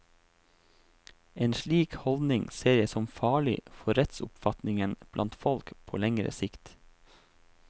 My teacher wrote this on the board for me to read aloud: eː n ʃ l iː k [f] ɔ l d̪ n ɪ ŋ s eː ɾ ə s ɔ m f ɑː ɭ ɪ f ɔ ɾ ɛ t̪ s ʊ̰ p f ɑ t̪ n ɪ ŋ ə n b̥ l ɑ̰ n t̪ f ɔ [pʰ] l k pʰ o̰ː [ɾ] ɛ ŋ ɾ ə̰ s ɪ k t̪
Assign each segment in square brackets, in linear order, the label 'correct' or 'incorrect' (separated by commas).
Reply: incorrect, incorrect, incorrect